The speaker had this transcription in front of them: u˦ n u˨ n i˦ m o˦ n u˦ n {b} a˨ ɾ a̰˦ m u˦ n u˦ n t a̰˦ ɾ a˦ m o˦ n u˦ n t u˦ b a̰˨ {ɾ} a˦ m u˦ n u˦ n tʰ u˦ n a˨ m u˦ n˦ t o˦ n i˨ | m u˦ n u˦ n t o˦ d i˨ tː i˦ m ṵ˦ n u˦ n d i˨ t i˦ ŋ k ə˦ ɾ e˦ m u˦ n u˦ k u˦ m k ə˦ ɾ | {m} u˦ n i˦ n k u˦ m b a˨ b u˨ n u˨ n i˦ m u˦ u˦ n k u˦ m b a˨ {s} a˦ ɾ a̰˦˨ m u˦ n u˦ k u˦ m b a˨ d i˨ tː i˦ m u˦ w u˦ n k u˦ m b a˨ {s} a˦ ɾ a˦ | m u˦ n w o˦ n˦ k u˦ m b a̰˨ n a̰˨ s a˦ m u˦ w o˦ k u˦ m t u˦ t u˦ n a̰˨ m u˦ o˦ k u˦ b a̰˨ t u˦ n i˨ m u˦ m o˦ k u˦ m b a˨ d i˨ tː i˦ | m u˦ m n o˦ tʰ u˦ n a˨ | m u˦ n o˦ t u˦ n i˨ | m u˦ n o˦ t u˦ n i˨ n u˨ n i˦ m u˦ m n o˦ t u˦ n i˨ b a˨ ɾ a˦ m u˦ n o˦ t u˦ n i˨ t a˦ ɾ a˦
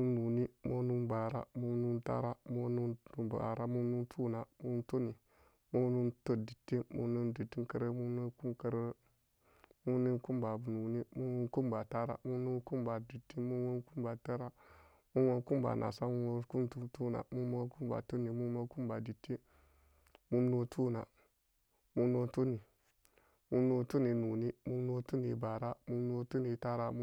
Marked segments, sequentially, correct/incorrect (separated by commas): correct, correct, correct, incorrect, incorrect